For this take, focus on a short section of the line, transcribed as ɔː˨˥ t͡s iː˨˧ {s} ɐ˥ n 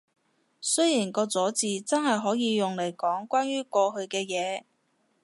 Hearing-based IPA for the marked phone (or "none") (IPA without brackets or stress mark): t͡s